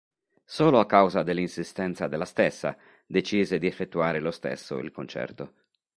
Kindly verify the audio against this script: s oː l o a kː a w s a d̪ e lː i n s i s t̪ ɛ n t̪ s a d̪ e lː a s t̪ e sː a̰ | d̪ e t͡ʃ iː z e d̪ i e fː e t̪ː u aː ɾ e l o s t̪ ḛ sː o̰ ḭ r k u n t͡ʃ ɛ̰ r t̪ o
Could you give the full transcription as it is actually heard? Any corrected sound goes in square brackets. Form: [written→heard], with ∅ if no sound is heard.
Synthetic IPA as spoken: s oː l o a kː a w [s→z] a d̪ e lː i n s i s t̪ ɛ n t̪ s a d̪ e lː a s t̪ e sː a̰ | d̪ e t͡ʃ iː z e d̪ i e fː e t̪ː u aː ɾ e l o s t̪ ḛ sː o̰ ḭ [r→l] k [u→o] n t͡ʃ ɛ̰ r t̪ o